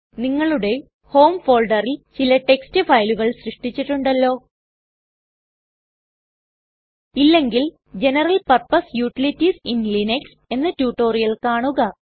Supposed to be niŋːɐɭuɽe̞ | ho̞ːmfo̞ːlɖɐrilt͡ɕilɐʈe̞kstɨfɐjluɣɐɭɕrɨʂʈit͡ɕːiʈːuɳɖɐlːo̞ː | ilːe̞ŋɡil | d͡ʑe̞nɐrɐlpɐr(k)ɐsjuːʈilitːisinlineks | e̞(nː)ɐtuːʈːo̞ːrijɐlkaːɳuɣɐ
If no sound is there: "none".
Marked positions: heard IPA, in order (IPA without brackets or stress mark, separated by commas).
p, nː